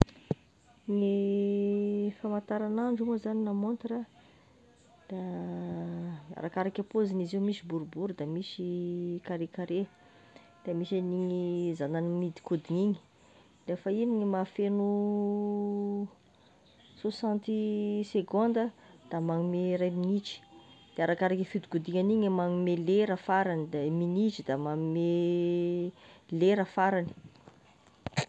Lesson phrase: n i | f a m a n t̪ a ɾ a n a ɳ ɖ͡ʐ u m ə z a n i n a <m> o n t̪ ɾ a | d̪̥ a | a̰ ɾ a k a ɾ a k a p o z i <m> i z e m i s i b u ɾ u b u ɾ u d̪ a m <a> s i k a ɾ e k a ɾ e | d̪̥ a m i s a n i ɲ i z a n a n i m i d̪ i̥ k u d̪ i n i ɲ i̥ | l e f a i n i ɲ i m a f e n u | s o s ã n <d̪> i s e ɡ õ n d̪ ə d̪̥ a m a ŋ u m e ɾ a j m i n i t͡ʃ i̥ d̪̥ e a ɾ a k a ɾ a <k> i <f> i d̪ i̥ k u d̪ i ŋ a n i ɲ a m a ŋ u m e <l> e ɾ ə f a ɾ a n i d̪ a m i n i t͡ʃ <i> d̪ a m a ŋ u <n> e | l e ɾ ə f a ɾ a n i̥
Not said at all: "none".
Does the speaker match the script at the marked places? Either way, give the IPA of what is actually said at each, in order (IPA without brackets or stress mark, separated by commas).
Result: m, n, i, t̪, k, f, l, i, m